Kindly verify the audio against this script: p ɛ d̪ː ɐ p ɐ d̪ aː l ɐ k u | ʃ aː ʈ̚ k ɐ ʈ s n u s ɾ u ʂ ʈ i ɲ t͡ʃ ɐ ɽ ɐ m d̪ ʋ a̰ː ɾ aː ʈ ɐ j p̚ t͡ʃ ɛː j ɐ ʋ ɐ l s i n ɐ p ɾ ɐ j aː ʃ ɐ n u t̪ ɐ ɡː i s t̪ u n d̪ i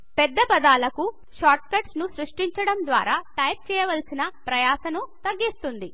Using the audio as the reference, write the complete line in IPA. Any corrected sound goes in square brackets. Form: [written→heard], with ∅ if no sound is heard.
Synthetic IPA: p ɛ d̪ː ɐ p ɐ d̪ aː l ɐ k u | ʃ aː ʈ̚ k ɐ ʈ s n u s ɾ u ʂ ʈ i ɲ t͡ʃ ɐ ɽ ɐ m d̪ ʋ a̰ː ɾ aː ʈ ɐ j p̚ t͡ʃ ɛː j ɐ ʋ ɐ l s i n ɐ p ɾ ɐ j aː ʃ ɐ n u t̪ ɐ ɡː i s t̪ u n d̪ i